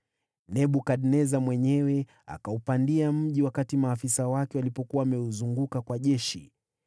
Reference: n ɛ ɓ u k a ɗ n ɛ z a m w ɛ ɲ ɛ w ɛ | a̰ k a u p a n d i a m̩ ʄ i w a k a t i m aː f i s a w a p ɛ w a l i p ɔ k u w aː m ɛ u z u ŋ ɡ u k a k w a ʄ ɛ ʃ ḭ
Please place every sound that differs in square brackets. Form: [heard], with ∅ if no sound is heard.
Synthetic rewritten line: n ɛ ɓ u k a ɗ n ɛ z a m w ɛ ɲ ɛ w ɛ | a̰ k a u p a n d i a m̩ ʄ i w a k a t i m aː f i s a w a [k] ɛ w a l i p ɔ k u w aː m ɛ u z u ŋ ɡ u k a k w a ʄ ɛ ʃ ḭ